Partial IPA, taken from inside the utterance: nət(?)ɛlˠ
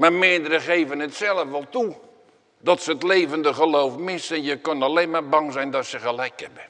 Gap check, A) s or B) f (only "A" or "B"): A